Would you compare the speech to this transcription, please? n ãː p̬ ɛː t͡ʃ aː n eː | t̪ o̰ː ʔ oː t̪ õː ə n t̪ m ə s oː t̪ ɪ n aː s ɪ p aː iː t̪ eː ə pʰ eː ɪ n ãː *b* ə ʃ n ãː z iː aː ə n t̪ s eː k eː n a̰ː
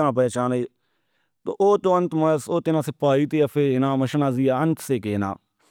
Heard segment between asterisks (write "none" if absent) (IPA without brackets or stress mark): m